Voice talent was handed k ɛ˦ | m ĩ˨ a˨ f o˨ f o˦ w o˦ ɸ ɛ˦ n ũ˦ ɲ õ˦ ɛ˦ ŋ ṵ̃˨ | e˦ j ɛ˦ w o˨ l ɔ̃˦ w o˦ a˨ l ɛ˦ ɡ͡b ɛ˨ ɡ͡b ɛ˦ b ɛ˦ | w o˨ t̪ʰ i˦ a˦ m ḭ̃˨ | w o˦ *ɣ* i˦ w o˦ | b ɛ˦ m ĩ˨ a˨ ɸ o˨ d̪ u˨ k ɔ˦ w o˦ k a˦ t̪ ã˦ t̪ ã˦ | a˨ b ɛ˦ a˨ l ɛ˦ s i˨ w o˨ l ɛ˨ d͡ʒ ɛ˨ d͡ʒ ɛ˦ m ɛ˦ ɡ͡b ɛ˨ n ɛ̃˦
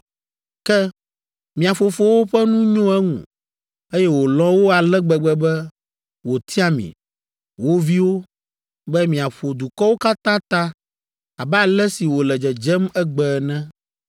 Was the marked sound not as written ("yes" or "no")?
yes